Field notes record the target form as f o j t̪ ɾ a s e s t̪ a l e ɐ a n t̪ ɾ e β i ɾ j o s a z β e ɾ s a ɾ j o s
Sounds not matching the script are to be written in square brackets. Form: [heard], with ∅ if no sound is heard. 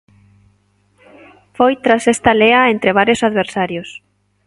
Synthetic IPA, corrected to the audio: f o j t̪ ɾ a s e s t̪ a l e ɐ [e] n t̪ ɾ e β [a] ɾ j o s a [ð] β e ɾ s a ɾ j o s